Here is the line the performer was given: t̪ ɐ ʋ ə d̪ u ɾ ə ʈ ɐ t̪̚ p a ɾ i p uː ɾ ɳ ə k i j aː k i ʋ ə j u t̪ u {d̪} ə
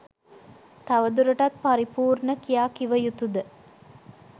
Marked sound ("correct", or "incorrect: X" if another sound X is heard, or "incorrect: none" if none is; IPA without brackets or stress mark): correct